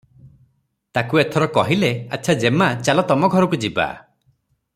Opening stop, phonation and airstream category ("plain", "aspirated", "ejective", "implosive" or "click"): plain